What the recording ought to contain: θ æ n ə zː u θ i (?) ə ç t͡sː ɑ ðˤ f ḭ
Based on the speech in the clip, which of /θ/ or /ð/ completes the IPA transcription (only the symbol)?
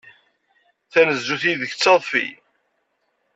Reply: ð